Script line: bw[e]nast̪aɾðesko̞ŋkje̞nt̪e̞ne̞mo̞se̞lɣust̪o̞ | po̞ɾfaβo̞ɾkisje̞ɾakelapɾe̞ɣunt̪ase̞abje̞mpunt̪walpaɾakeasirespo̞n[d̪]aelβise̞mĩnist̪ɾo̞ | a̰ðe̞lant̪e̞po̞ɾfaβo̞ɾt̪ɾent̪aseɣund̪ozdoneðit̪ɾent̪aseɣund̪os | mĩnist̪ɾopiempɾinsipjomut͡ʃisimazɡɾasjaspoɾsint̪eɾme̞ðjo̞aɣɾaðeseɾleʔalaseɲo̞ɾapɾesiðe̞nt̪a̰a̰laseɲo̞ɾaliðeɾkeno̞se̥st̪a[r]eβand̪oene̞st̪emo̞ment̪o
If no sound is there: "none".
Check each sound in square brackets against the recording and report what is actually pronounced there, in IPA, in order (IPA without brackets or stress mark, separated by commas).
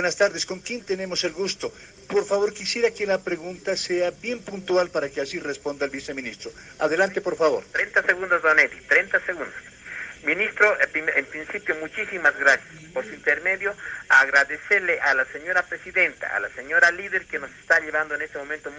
e, d̪, ʎ